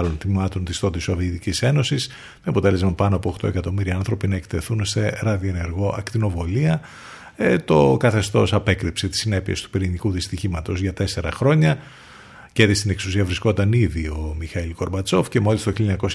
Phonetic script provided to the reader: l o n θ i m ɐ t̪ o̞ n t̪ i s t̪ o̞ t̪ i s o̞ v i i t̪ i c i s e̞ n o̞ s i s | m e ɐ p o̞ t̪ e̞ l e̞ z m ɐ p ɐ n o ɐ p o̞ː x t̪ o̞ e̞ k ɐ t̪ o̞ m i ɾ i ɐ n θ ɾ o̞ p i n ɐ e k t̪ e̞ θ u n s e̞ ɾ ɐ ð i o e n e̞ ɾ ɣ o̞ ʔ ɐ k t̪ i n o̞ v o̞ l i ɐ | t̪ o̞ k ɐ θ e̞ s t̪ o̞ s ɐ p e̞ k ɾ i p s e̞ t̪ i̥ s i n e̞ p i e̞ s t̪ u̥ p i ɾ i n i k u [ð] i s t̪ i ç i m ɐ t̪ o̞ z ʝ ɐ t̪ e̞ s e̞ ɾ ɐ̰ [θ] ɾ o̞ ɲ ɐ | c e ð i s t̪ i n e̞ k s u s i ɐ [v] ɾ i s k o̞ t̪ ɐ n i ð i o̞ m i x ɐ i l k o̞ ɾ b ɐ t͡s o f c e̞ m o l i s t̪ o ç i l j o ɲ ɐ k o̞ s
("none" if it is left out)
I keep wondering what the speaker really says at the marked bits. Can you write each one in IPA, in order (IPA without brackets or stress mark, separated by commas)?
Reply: ð, x, v